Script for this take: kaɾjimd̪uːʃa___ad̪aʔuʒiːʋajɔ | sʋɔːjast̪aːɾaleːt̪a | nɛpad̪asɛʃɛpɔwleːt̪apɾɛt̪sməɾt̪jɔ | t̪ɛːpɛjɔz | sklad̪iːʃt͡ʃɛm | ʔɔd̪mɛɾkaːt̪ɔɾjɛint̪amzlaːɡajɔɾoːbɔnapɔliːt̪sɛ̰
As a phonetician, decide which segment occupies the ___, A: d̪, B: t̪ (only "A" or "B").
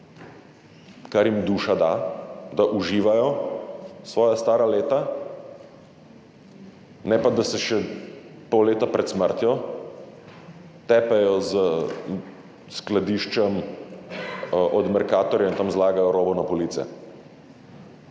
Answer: A